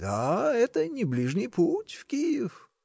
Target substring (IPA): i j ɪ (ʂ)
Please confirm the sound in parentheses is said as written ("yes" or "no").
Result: no